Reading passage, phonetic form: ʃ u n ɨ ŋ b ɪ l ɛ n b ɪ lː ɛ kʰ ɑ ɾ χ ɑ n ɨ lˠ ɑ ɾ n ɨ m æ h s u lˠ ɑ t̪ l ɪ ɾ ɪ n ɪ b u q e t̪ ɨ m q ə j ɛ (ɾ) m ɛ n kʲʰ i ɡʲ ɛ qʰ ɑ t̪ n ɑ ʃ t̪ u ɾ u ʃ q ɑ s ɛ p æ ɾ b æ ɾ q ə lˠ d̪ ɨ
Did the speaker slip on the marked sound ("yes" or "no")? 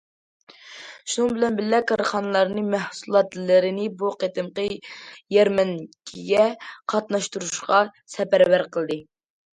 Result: no